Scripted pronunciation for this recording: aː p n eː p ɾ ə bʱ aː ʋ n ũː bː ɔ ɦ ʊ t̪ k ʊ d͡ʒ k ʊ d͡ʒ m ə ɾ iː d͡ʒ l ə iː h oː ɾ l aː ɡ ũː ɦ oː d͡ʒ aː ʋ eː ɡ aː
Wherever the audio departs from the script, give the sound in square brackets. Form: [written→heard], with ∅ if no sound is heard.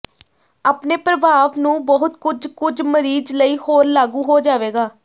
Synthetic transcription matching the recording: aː p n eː p ɾ ə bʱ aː ʋ n ũː [bː→b] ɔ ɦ ʊ t̪ k ʊ d͡ʒ k ʊ d͡ʒ m ə ɾ iː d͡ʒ l ə iː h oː ɾ l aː ɡ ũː ɦ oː d͡ʒ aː ʋ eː ɡ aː